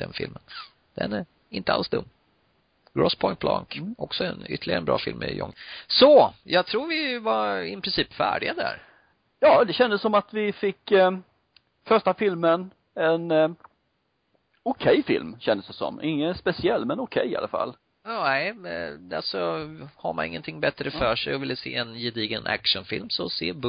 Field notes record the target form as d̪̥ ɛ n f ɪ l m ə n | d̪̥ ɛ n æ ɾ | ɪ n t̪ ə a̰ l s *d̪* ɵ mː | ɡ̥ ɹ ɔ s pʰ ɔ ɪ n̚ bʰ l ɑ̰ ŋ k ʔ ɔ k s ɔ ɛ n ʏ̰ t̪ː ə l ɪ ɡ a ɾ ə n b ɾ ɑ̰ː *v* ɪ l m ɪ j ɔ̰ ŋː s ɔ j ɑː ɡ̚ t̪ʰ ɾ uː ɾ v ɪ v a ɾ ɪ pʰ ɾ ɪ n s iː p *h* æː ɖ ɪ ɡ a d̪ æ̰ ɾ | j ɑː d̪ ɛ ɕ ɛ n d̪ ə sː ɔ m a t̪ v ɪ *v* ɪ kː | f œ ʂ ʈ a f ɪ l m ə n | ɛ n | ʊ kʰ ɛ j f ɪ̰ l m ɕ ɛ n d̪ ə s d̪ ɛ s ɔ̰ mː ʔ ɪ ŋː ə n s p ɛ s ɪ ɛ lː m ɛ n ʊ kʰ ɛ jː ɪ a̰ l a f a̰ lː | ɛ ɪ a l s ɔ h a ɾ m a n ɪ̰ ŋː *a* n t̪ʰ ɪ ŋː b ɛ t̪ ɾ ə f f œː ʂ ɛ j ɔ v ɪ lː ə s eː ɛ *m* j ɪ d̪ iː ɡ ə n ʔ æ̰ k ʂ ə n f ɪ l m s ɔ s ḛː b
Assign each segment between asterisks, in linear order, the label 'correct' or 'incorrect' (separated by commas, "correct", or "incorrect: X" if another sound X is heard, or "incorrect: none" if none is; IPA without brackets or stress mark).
correct, incorrect: f, incorrect: f, incorrect: f, incorrect: ə, incorrect: n